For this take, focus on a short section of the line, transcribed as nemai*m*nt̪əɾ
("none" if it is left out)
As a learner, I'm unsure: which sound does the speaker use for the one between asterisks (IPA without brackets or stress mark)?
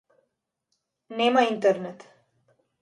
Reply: none